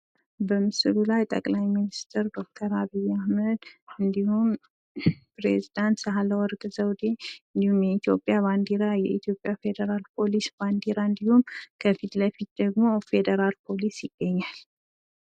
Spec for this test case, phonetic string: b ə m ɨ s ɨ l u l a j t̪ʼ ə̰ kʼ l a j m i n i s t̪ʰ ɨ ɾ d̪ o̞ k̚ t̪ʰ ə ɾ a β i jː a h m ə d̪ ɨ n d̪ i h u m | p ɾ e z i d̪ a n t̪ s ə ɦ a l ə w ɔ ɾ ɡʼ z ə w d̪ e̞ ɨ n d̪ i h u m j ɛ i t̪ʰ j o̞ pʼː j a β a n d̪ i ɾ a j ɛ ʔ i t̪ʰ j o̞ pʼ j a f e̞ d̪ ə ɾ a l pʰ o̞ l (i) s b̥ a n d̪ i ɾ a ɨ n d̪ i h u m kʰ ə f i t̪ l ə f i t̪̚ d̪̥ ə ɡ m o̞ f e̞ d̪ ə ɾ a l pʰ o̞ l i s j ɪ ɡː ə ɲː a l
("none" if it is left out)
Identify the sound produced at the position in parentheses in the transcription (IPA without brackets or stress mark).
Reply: i